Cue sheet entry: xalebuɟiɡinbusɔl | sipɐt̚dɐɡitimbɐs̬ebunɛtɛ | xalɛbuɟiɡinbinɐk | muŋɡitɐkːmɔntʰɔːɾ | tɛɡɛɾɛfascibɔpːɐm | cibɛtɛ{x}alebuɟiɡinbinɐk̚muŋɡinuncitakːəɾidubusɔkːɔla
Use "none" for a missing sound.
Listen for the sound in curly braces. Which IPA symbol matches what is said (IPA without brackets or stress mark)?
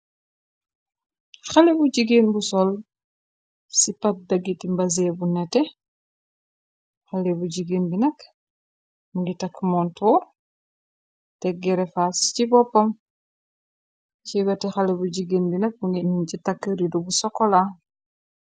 x